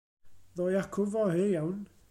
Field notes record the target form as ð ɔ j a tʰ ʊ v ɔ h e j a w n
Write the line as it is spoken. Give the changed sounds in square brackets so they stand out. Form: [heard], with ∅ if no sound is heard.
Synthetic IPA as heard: ð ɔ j a [kʰ] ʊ v ɔ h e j a w n